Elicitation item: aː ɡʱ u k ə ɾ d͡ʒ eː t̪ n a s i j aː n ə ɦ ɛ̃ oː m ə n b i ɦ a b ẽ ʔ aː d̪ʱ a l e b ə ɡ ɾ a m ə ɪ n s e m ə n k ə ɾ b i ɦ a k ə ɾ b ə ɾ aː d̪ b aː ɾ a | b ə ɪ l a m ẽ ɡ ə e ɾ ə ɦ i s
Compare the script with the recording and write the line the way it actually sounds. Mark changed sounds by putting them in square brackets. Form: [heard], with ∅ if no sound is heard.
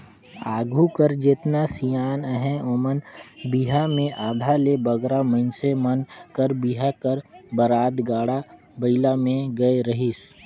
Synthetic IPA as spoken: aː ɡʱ u k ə ɾ d͡ʒ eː t̪ n a s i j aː n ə ɦ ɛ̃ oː m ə n b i ɦ a [m] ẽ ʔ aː d̪ʱ a l e b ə ɡ ɾ a m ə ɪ n s e m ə n k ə ɾ b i ɦ a k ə ɾ b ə ɾ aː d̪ [ɡ] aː [ɽ] a | b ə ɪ l a m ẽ ɡ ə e ɾ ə ɦ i s

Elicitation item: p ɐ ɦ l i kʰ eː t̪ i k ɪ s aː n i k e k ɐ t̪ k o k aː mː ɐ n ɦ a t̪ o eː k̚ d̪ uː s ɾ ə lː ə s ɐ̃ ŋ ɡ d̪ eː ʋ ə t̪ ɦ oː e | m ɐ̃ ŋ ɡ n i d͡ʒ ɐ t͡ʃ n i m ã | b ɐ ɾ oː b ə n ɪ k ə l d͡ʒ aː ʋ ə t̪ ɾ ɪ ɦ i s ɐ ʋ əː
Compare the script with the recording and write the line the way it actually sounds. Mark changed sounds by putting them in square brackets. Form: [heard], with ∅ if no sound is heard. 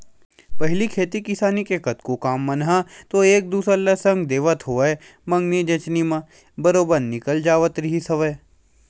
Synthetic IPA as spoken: p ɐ ɦ l i kʰ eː t̪ i k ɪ s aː n i k e k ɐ t̪ k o k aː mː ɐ n ɦ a t̪ o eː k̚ d̪ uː s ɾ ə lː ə s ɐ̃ ŋ ɡ d̪ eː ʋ ə t̪ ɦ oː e | m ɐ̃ ŋ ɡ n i d͡ʒ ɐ t͡ʃ n i m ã | b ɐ ɾ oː b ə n ɪ k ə l d͡ʒ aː ʋ ə t̪ ɾ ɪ ɦ i s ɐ ʋ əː

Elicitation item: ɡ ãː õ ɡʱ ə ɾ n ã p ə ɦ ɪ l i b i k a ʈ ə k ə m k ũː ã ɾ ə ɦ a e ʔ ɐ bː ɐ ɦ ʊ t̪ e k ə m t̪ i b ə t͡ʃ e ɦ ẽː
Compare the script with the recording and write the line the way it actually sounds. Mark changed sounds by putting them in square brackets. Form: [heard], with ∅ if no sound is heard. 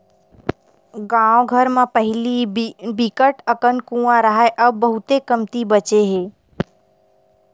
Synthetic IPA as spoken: ɡ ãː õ ɡʱ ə ɾ [m] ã p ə ɦ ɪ l i b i k [ə] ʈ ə k ə [n] k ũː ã ɾ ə ɦ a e ʔ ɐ bː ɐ ɦ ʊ t̪ e k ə m t̪ i b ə t͡ʃ e ɦ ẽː

